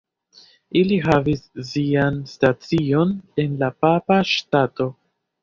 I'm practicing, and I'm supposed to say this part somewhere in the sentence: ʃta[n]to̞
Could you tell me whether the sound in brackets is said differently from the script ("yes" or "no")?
yes